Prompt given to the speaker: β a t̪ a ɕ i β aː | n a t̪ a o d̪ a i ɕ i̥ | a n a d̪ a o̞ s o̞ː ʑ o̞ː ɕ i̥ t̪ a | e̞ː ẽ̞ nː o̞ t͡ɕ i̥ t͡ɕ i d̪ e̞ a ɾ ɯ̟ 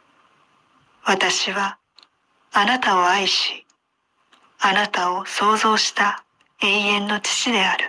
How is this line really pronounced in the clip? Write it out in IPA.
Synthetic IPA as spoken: β a t̪ a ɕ i β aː | n a t̪ a o a i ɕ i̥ | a n a t̪ a o̞ s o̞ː z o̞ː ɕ i̥ t̪ a | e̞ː ẽ̞ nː o̞ t͡ɕ i̥ t͡ɕ i d̪ e̞ a ɾ ɯ̟

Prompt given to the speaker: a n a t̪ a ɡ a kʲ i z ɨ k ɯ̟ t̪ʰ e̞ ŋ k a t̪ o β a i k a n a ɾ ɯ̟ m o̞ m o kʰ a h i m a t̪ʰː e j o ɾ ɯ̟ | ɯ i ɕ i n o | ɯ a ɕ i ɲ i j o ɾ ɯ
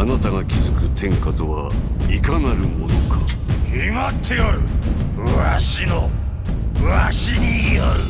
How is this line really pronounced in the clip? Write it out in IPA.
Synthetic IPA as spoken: a n a t̪ a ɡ a kʲ i z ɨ k ɯ̟ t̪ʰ ẽ̞ ŋ k a t̪ o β a i k a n a ɾ ɯ̟ m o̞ n o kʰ a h i m a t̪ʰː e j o ɾ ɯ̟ | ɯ a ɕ i n o | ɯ a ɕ i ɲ i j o ɾ ɯ

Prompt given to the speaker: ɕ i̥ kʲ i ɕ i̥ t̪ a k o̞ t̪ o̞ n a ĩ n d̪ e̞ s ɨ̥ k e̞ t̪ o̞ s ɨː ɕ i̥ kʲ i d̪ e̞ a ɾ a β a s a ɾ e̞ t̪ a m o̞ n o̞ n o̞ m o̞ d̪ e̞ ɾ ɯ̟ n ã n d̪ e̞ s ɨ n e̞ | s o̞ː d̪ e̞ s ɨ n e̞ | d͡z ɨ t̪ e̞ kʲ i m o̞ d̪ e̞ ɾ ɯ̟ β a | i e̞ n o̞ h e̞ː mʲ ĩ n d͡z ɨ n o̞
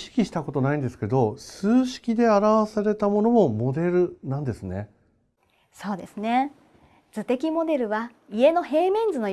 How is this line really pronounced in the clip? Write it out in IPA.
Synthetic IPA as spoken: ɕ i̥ kʲ i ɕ i̥ t̪ a k o̞ t̪ o̞ n a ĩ n d̪ e̞ s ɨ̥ k e̞ d̪ o̞ s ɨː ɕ i̥ kʲ i d̪ e̞ a ɾ a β a s a ɾ e̞ t̪ a m o̞ n o̞ m o̞ m o̞ d̪ e̞ ɾ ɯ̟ n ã n d̪ e̞ s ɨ n e̞ | s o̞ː d̪ e̞ s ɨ n e̞ | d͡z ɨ t̪ e̞ kʲ i m o̞ d̪ e̞ ɾ ɯ̟ β a | i e̞ n o̞ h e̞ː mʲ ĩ n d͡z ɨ n o̞

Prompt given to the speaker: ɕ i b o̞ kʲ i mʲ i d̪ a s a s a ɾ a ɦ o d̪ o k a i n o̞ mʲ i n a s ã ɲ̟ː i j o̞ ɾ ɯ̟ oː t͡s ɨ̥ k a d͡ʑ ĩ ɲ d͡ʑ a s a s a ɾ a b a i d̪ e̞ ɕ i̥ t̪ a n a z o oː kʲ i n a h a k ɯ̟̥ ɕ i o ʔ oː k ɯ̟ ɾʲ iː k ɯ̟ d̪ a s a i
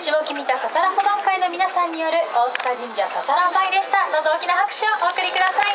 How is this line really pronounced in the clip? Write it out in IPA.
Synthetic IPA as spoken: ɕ i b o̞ kʲ i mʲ i t̪ a s a s a ɾ a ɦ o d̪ o k a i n o̞ mʲ i n a s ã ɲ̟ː i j o̞ ɾ ɯ̟ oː t͡s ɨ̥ k a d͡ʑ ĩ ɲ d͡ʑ a s a s a ɾ a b a i d̪ e̞ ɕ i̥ t̪ a n a z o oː kʲ i n a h a k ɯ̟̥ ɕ i o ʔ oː k ɯ̟ ɾʲ i k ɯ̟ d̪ a s a i

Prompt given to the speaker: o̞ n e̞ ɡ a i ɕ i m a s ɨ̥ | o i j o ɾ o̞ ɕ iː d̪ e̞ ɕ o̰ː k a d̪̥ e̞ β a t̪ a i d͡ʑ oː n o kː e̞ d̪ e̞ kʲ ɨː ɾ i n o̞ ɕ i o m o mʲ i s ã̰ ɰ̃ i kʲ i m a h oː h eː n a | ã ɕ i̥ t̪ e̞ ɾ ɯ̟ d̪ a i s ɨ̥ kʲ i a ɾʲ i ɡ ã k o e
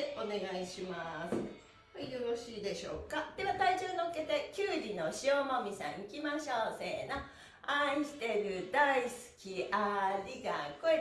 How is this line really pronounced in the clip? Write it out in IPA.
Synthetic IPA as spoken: o̞ n e̞ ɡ a i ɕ i m a s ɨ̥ | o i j o ɾ o̞ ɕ iː d̪ e̞ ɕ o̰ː k a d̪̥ e̞ β a t̪ a i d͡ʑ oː n o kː e̞ t̪ e̞ kʲ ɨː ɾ i n o̞ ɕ i o m o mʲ i s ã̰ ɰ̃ i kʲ i m a ɕ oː s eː n a | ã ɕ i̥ t̪ e̞ ɾ ɯ̟ d̪ a i s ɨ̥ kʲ i a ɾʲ i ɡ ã k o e

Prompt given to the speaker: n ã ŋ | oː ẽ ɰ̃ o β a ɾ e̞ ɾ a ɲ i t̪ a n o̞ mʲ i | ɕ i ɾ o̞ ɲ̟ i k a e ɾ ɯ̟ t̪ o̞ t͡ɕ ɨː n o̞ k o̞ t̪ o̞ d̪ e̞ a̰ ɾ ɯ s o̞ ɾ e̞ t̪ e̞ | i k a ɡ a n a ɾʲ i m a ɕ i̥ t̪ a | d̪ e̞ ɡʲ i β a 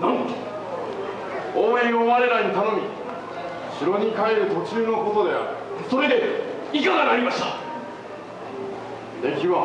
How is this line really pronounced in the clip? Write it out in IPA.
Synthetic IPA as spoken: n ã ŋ | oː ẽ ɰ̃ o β a ɾ e̞ ɾ a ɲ i t̪ a n o̞ mʲ i | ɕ i ɾ o̞ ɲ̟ i k a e ɾ ɯ̟ t̪ o̞ t͡ɕ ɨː n o̞ k o̞ t̪ o̞ d̪ e̞ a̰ ɾ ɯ s o̞ ɾ e̞ d̪ e̞ | i k a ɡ a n a ɾʲ i m a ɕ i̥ t̪ a | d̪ e̞ kʲ i β a

